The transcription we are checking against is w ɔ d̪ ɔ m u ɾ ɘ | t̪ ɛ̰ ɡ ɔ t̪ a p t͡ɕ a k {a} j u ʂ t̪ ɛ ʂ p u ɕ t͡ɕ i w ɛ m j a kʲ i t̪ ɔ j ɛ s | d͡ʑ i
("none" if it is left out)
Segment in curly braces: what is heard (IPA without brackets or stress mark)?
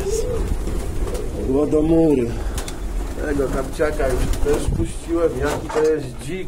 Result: a